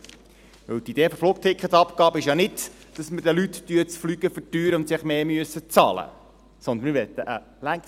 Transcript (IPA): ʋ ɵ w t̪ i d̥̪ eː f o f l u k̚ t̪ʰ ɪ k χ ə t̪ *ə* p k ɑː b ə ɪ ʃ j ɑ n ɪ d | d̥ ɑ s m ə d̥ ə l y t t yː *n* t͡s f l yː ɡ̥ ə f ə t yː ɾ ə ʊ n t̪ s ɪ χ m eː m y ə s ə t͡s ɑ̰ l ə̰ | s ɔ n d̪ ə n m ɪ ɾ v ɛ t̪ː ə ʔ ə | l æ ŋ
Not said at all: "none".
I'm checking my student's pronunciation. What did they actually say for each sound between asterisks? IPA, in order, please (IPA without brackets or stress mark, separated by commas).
ɑ, none